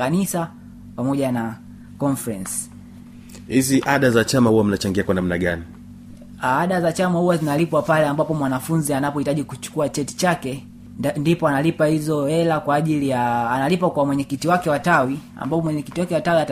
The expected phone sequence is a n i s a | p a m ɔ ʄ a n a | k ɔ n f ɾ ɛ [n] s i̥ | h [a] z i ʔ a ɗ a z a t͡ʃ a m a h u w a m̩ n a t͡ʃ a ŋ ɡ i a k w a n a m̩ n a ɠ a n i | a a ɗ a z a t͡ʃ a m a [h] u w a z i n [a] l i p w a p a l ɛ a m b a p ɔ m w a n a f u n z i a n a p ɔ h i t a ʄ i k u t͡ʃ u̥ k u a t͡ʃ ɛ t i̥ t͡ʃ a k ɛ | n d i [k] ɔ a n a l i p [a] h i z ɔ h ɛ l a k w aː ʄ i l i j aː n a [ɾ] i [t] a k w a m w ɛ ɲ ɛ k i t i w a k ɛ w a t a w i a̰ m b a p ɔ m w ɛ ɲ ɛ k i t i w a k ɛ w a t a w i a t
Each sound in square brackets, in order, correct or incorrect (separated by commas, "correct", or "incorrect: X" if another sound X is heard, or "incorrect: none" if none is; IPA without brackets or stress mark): correct, incorrect: i, correct, correct, incorrect: p, correct, incorrect: l, incorrect: p